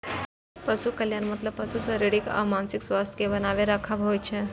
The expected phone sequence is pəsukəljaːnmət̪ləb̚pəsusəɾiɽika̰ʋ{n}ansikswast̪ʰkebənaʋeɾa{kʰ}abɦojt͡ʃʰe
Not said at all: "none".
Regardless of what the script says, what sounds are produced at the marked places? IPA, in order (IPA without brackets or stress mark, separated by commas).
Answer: m, kʰ